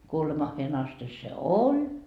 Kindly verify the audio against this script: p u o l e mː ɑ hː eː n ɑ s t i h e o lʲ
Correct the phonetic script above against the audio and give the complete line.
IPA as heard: k u o l e m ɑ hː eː n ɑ s t i s e o lʲ

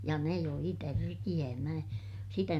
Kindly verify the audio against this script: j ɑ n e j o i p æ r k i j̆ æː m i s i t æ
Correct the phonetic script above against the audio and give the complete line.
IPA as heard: j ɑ n e j o i t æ r k i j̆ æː m æ s i t æ

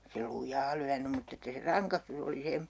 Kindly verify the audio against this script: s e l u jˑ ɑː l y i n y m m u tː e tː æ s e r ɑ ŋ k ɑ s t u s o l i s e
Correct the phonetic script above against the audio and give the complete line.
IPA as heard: s e l u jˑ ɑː l y æ n y m m u tː e tː æ s e r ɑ ŋ k ɑ s t u s o l i s e

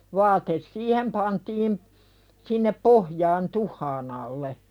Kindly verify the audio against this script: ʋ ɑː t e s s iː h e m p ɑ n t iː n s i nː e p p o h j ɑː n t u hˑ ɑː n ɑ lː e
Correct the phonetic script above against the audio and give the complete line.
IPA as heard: ʋ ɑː t e s s iː h e m p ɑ n t iː m s i nː e p p o h j ɑː n t u hˑ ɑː n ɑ lː e

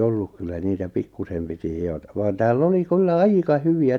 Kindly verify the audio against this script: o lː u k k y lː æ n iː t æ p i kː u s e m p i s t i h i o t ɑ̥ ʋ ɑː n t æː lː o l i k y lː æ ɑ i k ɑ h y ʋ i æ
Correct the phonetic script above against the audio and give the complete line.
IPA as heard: o lː u k k y lː æ n iː t æ p i kː u s e m p i t i h i o t ɑ̥ ʋ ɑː n t æː lː o l i k y lː æ ɑ i k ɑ h y ʋ i æ

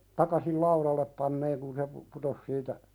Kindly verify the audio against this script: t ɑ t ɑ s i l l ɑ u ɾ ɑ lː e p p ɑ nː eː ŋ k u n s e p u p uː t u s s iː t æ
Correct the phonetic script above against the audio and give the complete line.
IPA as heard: t ɑ k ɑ s i l l ɑ u ɾ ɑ lː e p p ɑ nː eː ŋ k u n s e p u p u t o s s iː t æ

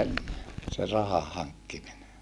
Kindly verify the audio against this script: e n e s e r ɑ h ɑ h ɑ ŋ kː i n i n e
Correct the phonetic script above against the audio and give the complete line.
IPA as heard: e nː e s e r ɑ h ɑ h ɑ ŋ kː i m i n e

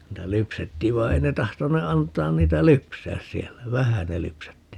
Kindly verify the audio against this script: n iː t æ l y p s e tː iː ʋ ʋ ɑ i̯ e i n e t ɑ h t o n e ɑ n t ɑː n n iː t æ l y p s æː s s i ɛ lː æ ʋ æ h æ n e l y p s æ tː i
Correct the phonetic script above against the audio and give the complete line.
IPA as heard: n iː t æ l y p s e tː iː ʋ ʋ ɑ i̯ e i n e t ɑ h t o n e ɑ n t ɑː n n iː t æ l y p s æː s s i ɛ lː æ ʋ æ h æ n e l y p s æ tː i

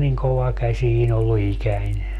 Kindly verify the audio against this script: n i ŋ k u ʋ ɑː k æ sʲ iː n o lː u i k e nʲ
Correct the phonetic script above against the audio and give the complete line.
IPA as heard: n i ŋ k o ʋ ɑ k æ sʲ iː n o lː u i k æ nʲ

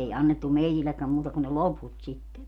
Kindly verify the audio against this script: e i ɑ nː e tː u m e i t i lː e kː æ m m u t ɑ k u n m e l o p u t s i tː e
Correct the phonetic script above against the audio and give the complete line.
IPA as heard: e i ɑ nː e tː u m e i t i lː e kː æ m m uː t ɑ k u n n e l o p u t s i tː e

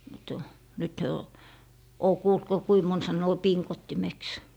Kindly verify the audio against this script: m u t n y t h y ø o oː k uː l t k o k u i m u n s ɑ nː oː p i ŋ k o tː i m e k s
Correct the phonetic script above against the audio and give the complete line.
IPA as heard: m u t n y t h y ø o oː k uː l t k o k u i m o n s ɑ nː oː p i ŋ k o tː i m e k s

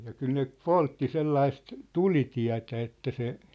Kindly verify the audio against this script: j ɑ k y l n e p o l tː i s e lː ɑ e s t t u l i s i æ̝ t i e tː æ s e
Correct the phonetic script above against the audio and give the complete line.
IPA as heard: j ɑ k y l n e p o l tː i s e lː ɑ i s t t u l i t i æ̝ t æ e tː æ s e

